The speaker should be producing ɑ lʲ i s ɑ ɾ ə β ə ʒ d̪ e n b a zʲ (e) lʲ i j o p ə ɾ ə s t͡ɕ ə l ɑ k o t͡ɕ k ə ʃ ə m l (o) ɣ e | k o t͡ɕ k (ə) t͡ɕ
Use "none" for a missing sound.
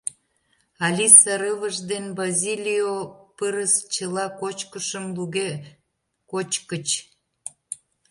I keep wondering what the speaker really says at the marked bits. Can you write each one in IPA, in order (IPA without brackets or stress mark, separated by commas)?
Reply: i, u, ə